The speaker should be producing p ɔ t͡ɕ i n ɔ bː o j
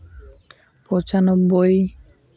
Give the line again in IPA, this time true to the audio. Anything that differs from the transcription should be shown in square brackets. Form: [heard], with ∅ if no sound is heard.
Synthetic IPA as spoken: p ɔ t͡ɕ [a] n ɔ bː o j